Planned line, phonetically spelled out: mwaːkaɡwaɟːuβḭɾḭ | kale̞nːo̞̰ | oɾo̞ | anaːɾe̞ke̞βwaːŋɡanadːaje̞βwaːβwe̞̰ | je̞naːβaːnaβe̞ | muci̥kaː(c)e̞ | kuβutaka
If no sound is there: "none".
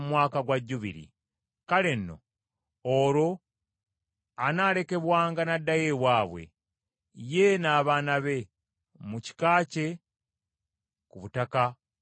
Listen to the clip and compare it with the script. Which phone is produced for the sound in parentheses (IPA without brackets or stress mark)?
c